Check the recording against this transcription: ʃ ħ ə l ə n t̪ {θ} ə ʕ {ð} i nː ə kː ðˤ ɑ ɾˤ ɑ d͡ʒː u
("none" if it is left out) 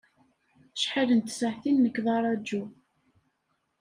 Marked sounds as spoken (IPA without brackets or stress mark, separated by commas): s, θ